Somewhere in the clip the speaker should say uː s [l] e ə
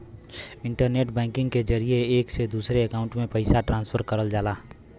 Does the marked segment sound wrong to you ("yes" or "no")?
yes